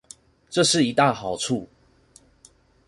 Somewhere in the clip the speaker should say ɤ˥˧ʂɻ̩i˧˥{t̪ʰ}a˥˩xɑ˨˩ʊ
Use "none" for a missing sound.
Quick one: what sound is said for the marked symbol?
t̪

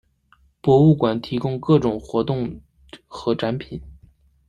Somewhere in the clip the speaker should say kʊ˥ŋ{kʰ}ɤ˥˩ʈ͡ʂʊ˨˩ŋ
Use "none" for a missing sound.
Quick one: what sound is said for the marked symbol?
k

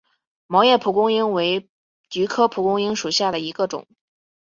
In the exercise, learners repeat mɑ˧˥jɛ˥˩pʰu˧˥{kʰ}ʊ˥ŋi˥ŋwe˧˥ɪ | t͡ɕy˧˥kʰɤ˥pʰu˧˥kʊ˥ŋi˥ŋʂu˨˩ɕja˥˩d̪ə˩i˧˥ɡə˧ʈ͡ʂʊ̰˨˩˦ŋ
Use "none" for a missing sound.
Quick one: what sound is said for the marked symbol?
k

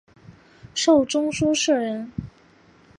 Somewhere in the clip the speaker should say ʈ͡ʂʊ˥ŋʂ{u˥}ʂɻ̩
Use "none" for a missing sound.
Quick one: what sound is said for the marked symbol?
u˥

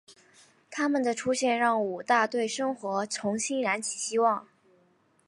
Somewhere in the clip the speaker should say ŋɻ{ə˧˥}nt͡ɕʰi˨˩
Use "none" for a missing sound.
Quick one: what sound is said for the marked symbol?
a˧˥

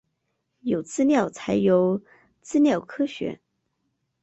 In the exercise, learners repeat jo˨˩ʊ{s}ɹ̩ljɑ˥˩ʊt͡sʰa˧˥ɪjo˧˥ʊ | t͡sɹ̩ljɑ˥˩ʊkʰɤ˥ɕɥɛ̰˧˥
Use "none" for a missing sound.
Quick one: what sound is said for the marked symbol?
t͡s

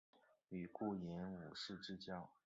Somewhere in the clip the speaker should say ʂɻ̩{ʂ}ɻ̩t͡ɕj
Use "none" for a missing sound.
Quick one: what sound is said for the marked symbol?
ʈ͡ʂ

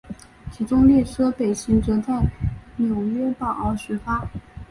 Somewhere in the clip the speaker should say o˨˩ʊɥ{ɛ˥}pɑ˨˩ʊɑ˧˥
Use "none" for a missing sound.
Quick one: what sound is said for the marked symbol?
ɛ˥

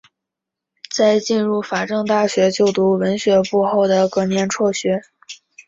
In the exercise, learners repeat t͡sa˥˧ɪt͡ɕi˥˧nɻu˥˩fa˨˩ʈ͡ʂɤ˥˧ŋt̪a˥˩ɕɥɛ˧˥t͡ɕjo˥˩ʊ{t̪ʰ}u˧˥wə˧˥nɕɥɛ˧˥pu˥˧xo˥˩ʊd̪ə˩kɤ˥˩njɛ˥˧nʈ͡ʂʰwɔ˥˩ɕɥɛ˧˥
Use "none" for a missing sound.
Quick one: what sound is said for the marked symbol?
t̪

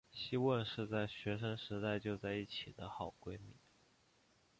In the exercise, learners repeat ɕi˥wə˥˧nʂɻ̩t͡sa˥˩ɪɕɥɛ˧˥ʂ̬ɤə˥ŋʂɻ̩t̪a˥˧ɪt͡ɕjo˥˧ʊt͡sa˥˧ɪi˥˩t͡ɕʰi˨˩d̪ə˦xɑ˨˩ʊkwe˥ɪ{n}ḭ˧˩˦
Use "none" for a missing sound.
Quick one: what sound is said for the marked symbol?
m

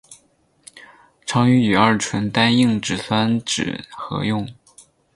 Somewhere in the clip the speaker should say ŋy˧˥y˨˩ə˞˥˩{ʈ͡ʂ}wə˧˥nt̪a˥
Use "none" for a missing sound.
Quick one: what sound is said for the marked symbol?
ʈ͡ʂʰ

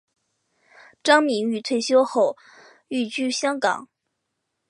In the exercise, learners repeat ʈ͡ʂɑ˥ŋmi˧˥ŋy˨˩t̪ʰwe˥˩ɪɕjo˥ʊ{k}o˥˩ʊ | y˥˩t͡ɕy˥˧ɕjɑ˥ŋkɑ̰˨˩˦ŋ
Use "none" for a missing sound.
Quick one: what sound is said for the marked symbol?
x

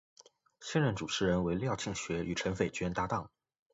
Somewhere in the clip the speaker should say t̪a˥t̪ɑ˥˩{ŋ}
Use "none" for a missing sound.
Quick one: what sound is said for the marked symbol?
ŋ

